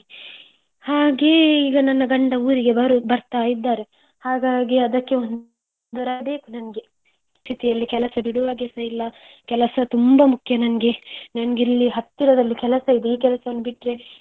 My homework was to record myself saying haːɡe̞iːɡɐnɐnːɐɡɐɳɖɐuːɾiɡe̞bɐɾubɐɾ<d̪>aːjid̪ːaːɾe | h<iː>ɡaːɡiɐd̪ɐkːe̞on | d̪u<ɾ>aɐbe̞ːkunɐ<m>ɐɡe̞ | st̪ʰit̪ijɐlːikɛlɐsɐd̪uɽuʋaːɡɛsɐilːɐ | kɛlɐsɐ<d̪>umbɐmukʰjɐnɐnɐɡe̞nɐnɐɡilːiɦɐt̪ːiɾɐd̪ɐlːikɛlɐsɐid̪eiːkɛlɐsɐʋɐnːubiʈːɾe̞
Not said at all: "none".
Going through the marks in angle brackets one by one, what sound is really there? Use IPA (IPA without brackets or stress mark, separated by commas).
t̪, aː, ɾ, n, t̪